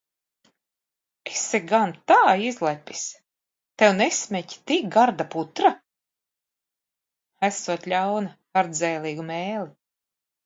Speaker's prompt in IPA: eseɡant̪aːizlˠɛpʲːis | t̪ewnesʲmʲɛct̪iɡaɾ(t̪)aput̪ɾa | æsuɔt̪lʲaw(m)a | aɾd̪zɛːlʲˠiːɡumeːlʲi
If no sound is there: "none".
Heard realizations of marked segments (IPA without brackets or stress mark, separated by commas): d̪, n